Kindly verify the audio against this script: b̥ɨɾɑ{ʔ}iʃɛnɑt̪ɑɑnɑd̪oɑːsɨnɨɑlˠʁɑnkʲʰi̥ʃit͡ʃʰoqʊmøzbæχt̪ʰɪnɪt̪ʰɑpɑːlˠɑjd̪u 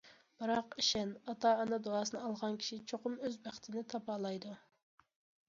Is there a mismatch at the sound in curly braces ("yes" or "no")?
yes